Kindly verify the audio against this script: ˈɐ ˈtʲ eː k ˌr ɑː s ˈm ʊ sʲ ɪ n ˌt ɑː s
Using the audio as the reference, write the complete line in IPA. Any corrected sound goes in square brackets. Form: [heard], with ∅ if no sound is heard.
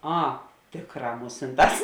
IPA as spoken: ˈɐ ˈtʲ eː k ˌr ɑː [∅] ˈm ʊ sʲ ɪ n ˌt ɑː s